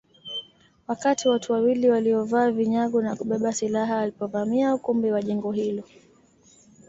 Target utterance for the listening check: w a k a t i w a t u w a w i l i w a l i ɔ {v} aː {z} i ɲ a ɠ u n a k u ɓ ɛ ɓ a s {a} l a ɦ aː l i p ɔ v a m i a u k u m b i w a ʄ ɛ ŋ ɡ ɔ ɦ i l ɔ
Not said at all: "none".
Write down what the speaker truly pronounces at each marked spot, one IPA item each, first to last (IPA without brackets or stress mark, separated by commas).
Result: v, v, i